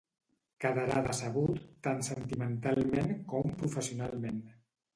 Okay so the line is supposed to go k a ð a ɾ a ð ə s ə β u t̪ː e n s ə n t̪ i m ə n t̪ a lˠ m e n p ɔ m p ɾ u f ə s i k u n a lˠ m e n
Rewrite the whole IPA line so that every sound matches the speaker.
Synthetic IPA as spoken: k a ð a ɾ a ð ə s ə β u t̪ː a n s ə n t̪ i m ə n t̪ a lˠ m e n k ɔ m p ɾ u f ə s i u n a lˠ m e n